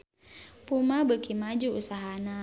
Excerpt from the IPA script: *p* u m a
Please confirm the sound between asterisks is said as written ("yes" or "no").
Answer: yes